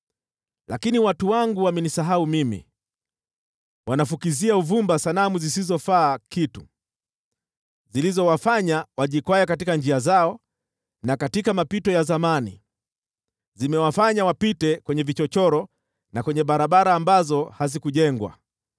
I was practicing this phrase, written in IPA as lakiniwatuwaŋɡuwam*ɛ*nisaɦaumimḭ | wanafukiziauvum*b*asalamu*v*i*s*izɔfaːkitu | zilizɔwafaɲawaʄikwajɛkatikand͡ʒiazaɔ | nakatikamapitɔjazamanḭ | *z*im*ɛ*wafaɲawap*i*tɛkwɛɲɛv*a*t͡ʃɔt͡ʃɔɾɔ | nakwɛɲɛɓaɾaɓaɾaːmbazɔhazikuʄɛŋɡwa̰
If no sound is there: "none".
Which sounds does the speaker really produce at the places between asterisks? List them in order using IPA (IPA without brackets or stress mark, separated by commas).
ɛ, b, z, s, z, ɛ, i, i